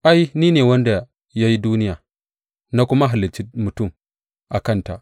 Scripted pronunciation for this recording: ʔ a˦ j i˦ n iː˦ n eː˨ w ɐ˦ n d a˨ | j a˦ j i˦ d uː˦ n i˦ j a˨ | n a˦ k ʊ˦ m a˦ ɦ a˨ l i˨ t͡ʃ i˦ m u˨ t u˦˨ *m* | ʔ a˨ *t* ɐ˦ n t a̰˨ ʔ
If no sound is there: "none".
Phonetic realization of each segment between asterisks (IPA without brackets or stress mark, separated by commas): m, k